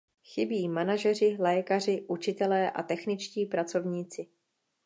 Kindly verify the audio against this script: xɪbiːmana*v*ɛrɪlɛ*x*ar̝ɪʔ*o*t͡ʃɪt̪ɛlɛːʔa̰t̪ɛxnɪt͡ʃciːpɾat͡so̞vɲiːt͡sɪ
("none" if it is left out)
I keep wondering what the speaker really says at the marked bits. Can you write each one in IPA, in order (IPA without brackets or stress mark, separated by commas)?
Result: ʒ, k, u